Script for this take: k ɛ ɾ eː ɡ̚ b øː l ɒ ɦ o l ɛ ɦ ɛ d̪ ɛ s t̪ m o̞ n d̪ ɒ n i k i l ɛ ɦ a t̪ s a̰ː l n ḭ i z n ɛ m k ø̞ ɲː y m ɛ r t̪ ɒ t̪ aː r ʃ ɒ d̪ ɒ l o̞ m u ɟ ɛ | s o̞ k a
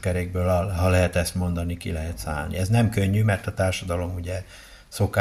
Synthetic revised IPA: k ɛ ɾ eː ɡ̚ b øː l ɒ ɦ ɒ l ɛ ɦ ɛ t̪ ɛ s t̪ m o̞ n d̪ ɒ n i k i l ɛ ɦ ɛ t̪ s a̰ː l n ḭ ɛ z n ɛ m k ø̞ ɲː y m ɛ r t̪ ɒ t̪ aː r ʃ ɒ d̪ ɒ l o̞ m u ɟ ɛ | s o̞ k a